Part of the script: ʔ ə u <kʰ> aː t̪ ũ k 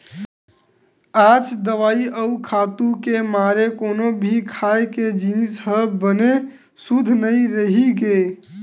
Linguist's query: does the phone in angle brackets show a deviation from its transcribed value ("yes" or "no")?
no